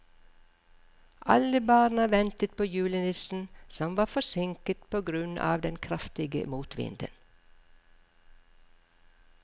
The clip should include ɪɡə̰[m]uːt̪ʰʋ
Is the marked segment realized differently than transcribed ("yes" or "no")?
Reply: no